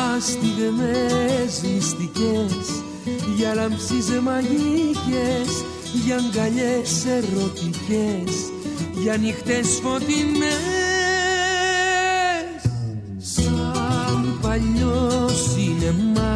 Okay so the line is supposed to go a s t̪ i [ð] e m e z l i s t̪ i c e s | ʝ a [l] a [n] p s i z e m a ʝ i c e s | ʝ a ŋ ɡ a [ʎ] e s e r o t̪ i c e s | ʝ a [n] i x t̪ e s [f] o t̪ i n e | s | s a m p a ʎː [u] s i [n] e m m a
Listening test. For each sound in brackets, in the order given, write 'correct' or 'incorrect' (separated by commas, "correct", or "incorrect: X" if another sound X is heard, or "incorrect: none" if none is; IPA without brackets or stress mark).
correct, correct, incorrect: m, correct, correct, correct, incorrect: o, correct